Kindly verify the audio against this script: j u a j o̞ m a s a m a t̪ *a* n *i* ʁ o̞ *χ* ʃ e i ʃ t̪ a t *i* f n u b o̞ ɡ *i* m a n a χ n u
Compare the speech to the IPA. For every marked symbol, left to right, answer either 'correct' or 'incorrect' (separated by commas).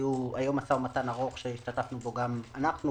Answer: correct, incorrect, correct, incorrect, incorrect